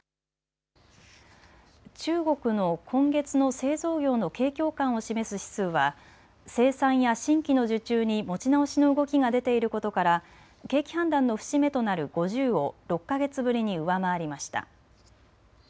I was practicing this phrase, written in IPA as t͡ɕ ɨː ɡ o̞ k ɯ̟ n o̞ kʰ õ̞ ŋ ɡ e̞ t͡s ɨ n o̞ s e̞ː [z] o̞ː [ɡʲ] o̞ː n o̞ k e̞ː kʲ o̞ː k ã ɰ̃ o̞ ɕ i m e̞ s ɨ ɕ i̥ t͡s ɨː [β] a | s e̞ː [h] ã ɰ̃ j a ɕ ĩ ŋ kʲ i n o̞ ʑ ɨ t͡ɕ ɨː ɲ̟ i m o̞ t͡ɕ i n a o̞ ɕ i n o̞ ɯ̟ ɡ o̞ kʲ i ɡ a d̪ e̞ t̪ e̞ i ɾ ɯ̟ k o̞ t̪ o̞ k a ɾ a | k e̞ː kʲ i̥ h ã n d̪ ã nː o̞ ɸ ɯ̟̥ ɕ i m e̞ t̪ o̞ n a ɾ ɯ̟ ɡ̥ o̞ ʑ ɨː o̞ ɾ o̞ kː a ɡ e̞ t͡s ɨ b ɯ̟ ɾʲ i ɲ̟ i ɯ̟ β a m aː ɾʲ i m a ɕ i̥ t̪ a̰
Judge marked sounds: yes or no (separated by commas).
yes, yes, yes, no